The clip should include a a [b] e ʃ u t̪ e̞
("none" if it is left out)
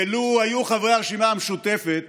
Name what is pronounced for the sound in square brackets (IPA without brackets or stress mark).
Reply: m